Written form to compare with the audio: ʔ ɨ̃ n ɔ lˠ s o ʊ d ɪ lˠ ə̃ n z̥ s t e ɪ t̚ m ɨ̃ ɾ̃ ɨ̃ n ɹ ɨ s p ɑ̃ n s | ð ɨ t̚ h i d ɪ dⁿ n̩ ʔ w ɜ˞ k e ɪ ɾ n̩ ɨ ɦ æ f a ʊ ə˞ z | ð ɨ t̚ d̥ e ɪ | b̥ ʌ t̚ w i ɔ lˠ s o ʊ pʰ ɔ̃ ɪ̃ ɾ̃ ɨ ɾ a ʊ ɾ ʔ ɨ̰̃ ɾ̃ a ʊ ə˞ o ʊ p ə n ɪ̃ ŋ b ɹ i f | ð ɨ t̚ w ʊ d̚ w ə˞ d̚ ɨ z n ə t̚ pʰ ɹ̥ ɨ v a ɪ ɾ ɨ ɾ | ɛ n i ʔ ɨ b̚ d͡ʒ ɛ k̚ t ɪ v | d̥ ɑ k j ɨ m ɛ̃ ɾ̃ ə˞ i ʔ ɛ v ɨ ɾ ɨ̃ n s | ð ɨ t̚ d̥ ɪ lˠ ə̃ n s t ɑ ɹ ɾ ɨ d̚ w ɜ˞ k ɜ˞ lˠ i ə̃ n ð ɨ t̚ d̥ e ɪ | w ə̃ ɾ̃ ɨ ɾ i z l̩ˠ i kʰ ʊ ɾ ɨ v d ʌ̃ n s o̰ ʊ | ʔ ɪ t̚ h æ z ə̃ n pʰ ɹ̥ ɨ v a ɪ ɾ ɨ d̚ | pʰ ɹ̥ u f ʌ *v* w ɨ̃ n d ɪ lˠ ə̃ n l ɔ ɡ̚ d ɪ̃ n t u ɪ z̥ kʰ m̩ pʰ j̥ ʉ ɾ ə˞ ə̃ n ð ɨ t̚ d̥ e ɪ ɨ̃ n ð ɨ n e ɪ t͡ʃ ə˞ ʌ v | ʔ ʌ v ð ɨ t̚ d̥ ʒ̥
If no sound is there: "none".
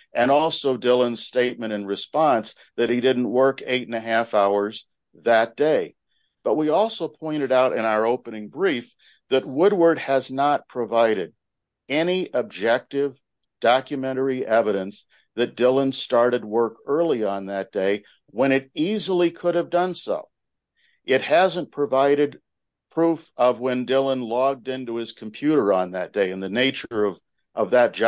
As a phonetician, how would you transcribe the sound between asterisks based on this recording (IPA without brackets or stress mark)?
v